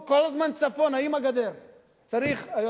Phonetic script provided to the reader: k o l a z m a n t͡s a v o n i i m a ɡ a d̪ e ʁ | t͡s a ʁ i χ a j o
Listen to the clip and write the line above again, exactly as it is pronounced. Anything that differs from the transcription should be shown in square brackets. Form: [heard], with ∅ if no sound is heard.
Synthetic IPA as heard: k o l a z m a n t͡s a [f] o n [a] i m a ɡ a d̪ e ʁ | t͡s a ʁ i χ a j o